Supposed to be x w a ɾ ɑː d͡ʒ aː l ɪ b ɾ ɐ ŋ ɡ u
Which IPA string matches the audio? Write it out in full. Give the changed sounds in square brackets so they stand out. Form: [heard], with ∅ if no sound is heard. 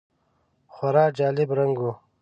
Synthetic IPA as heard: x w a ɾ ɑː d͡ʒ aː l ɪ b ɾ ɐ ŋ ɡ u